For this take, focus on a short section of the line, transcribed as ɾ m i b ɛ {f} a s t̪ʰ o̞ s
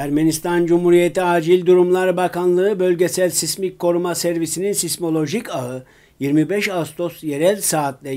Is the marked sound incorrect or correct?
incorrect